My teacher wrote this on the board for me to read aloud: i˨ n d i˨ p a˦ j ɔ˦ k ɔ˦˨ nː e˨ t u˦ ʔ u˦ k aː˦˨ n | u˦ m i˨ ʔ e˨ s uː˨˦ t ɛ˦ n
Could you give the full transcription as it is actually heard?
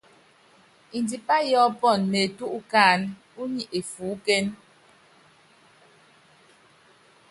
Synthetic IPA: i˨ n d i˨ p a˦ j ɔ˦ p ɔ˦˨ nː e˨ t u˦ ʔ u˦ k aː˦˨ n | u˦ ɲ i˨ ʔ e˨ f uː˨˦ k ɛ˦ n